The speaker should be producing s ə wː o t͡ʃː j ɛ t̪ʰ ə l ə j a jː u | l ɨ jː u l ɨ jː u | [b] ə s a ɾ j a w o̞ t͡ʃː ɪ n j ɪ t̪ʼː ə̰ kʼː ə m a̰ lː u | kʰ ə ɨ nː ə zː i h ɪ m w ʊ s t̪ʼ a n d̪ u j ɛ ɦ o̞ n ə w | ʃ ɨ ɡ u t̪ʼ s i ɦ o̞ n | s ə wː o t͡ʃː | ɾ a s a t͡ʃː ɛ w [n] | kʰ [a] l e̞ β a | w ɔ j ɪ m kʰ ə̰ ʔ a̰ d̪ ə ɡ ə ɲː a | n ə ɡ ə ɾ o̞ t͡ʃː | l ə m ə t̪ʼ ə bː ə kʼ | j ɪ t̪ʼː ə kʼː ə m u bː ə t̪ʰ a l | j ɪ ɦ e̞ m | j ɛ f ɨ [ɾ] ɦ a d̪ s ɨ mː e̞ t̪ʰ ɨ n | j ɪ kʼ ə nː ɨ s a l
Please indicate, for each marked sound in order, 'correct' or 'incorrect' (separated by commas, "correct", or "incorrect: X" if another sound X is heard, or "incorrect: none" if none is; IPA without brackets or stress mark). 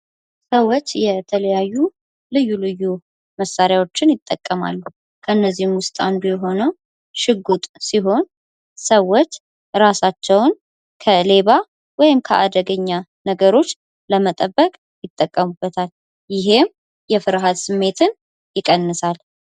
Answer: incorrect: m, correct, incorrect: ə, correct